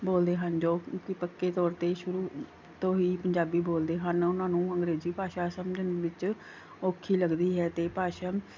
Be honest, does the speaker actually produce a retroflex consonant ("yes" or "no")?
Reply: no